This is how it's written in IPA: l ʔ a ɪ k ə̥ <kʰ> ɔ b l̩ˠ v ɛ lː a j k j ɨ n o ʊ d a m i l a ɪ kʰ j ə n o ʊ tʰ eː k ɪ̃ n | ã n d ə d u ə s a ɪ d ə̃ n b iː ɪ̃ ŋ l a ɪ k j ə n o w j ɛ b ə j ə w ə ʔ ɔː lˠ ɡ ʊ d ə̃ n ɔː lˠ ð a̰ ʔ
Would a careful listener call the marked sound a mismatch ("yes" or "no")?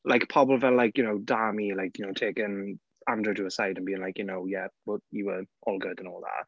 yes